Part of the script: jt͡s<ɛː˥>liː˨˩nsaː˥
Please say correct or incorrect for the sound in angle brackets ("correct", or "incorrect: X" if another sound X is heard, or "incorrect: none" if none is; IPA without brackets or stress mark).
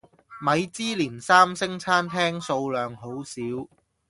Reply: incorrect: iː˥